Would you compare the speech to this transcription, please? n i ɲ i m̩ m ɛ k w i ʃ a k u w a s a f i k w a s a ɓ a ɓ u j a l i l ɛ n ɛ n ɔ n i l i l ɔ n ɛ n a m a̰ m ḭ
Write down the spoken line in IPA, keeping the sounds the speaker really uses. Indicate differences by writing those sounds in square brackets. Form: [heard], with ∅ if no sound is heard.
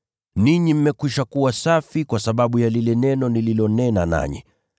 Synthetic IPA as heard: n i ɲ i m̩ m ɛ k w i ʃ a k u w a s a f i k w a s a ɓ a ɓ u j a l i l ɛ n ɛ n ɔ n i l i l ɔ n ɛ n a [n] a̰ [ɲ] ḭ